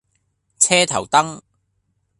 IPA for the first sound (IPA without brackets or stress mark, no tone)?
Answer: t͡sʰ